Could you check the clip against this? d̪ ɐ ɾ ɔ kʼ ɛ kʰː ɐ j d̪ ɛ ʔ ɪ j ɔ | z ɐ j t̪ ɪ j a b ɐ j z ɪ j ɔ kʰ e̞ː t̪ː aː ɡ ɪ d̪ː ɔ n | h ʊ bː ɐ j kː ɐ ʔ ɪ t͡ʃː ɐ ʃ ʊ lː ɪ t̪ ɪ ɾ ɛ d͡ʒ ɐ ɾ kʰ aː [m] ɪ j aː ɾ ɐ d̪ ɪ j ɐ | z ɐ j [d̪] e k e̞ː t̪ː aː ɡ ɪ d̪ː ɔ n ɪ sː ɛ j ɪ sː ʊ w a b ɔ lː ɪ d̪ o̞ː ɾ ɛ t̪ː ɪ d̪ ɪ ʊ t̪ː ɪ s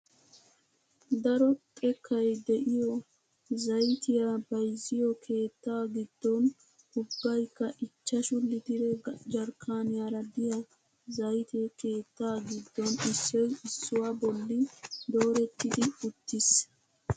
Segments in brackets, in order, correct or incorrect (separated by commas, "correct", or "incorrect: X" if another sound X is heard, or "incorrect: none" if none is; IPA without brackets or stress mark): incorrect: n, incorrect: t̪